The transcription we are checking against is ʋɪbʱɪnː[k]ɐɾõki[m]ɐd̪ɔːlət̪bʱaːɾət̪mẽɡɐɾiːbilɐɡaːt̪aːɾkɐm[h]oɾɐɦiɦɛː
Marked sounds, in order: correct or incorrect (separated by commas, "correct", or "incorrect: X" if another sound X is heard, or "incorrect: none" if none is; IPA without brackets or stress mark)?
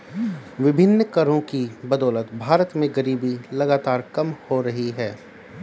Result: correct, incorrect: b, correct